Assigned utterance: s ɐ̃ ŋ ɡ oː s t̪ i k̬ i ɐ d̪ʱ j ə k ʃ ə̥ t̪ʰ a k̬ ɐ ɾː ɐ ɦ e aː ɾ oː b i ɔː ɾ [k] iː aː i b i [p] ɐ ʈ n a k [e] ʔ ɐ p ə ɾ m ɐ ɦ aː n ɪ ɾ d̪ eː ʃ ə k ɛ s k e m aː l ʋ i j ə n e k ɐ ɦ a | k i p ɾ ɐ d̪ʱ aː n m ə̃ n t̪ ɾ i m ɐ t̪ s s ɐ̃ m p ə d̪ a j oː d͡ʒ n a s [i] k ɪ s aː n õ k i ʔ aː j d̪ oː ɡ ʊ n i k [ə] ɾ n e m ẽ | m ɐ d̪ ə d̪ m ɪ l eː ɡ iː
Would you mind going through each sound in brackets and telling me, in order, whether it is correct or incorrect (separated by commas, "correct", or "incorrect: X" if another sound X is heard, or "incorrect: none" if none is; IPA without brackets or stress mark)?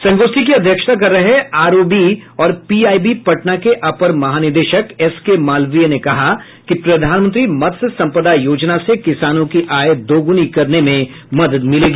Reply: incorrect: p, correct, correct, incorrect: e, incorrect: ɐ